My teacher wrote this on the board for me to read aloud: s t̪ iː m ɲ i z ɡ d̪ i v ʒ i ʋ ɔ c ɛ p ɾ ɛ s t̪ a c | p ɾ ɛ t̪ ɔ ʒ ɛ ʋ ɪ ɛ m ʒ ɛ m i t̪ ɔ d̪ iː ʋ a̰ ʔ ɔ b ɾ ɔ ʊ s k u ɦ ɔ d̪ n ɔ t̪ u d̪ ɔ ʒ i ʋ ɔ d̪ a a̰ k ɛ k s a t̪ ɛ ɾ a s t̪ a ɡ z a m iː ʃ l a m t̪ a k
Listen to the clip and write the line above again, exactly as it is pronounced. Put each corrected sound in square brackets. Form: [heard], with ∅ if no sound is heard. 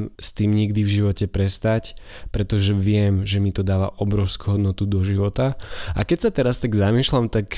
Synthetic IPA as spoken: s t̪ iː m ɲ i [∅] ɡ d̪ i v ʒ i ʋ ɔ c ɛ p ɾ ɛ s t̪ a c | p ɾ ɛ t̪ ɔ ʒ ɛ ʋ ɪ ɛ m ʒ ɛ m i t̪ ɔ d̪ [aː] ʋ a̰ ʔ ɔ b ɾ ɔ ʊ s k u ɦ ɔ d̪ n ɔ t̪ u d̪ ɔ ʒ i ʋ ɔ [t̪] a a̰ k ɛ [c] s a t̪ ɛ ɾ a s t̪ a ɡ z a m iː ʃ l a m t̪ a k